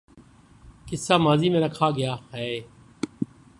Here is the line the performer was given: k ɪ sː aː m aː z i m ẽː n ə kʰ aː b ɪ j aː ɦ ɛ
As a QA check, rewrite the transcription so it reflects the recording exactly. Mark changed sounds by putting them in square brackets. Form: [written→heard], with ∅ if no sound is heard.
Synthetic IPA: k ɪ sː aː m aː z [i→iː] m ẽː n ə kʰ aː [b→ɡ] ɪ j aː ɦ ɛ

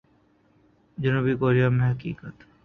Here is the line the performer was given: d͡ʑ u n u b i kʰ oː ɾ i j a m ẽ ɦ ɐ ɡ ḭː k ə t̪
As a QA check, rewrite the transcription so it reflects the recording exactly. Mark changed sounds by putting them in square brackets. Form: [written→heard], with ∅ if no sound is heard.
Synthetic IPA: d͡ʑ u n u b i [kʰ→k] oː ɾ i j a m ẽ ɦ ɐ [ɡ→k] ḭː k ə t̪

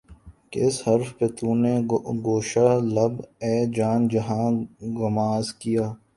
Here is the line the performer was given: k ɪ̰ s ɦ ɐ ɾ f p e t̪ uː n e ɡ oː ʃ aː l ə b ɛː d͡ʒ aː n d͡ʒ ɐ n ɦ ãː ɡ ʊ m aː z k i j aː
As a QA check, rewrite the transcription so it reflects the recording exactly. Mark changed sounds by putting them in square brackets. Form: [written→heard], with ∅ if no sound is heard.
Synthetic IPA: k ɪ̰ s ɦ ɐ ɾ f p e t̪ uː n e ɡ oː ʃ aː l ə b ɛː d͡ʒ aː n d͡ʒ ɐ [n→∅] ɦ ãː ɡ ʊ m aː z k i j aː

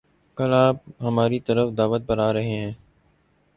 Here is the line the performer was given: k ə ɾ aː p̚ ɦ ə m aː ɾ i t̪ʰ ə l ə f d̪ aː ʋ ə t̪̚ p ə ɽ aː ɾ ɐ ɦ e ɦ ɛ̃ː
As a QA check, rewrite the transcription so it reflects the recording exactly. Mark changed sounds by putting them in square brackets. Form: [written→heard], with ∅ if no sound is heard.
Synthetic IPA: k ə [ɾ→l] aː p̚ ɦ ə m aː ɾ i [t̪ʰ→t̪] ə [l→ɾ] ə f d̪ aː ʋ ə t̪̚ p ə [ɽ→ɾ] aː ɾ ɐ ɦ e ɦ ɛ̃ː

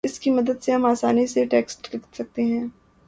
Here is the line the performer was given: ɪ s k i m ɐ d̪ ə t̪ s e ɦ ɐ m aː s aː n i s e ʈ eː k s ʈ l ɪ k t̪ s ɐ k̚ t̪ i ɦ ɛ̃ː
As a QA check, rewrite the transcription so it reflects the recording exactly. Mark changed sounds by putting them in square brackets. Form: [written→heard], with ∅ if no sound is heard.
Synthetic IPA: ɪ s k i m ɐ d̪ ə [t̪→d̪] s e ɦ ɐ m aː s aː n i s e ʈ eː k s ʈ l ɪ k t̪ s ɐ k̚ t̪ [i→e] ɦ ɛ̃ː

